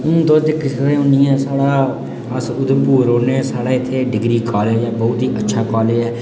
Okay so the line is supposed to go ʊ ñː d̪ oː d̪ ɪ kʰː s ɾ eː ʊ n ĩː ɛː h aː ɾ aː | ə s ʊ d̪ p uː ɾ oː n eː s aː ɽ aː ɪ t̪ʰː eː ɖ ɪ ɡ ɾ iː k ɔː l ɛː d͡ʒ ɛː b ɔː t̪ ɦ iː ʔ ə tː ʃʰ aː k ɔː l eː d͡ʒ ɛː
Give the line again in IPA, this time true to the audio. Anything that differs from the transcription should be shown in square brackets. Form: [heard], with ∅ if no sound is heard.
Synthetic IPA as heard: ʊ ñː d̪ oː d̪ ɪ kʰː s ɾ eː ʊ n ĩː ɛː [s] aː [ɽ] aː | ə s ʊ d̪ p uː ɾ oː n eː s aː ɽ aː ɪ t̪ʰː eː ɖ ɪ ɡ ɾ iː k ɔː l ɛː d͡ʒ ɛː b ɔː t̪ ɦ iː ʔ ə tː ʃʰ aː k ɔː l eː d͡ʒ ɛː